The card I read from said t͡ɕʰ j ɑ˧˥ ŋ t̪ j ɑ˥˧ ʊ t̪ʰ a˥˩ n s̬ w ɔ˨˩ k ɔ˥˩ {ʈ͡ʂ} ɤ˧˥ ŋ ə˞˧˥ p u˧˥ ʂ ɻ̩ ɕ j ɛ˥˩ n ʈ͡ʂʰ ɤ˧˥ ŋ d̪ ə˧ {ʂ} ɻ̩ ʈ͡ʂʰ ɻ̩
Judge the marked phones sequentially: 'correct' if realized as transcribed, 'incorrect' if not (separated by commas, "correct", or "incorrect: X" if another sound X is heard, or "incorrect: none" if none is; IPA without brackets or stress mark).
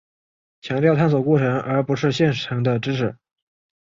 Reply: incorrect: ʈ͡ʂʰ, incorrect: ʈ͡ʂ